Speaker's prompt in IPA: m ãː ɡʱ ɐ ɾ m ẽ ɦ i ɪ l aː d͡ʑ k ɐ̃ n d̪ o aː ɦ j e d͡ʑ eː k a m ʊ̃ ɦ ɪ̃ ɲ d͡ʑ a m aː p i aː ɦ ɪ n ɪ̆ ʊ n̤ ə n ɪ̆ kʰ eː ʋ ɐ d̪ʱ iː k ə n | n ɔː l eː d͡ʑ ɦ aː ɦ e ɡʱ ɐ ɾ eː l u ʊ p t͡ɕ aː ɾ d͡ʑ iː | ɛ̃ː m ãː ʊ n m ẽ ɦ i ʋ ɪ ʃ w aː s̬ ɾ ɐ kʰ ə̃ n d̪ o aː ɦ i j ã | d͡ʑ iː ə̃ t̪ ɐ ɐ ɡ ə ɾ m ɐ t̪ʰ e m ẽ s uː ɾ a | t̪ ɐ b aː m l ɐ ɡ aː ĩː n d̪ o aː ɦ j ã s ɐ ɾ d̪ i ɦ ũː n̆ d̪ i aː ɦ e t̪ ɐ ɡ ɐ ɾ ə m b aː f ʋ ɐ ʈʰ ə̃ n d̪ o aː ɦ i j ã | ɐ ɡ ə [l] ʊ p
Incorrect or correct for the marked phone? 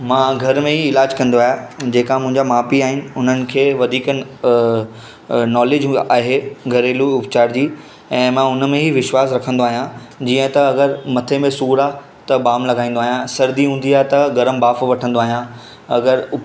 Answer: incorrect: ɾ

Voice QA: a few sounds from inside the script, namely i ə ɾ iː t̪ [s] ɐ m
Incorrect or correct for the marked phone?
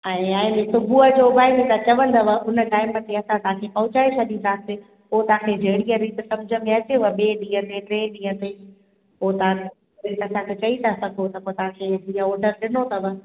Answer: correct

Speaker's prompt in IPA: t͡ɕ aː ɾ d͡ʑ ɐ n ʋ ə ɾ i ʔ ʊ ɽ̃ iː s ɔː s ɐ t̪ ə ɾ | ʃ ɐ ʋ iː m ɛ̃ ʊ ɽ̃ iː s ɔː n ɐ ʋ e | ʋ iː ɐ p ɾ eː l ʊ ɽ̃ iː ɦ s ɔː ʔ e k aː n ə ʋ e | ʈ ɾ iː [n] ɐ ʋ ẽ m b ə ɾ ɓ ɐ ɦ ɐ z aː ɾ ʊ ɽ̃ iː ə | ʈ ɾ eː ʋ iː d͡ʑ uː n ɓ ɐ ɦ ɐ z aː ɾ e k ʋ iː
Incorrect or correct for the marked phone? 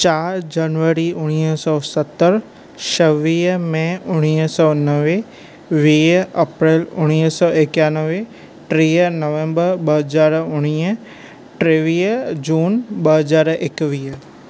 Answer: correct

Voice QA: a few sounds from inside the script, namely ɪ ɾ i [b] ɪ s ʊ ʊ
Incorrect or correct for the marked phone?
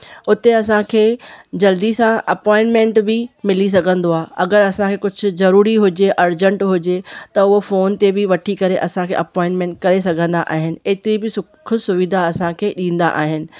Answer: correct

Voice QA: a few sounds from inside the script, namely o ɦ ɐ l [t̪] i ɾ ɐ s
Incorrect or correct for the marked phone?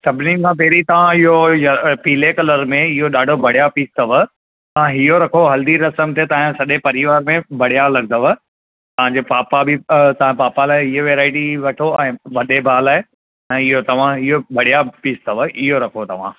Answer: incorrect: d̪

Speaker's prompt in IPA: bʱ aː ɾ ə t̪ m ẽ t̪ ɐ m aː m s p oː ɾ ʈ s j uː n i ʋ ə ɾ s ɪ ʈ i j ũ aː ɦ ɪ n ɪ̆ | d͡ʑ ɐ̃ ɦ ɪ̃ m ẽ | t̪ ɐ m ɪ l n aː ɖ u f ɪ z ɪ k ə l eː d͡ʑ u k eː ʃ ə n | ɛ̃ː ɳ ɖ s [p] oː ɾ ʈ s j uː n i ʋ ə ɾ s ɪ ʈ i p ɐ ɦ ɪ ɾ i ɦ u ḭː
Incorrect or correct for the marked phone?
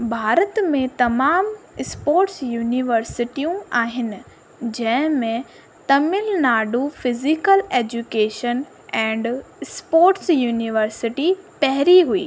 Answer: correct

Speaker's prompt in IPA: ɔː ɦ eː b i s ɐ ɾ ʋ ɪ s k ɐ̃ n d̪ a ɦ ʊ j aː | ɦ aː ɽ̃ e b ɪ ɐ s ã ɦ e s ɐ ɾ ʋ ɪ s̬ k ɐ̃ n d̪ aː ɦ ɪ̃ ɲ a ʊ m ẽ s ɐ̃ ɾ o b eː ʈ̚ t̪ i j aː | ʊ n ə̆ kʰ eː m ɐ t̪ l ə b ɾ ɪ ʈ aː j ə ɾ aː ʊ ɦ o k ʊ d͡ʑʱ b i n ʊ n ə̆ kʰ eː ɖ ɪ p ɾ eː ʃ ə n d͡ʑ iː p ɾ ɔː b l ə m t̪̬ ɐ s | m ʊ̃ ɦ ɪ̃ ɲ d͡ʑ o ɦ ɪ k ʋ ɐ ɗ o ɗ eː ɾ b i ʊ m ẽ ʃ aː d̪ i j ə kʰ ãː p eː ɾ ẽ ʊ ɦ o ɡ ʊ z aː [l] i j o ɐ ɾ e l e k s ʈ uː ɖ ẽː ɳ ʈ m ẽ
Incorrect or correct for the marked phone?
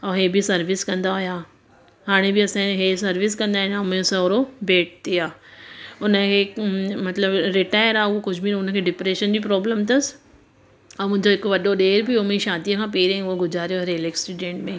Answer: incorrect: ɾ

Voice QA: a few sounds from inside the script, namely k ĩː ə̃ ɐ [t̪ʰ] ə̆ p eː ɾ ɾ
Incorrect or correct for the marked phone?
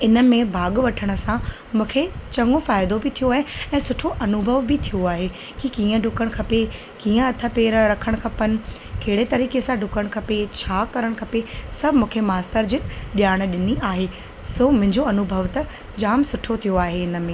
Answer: correct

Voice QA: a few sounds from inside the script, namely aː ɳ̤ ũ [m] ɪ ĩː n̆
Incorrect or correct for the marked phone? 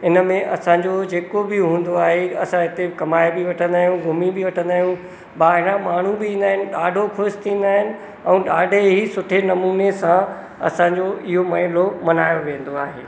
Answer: incorrect: b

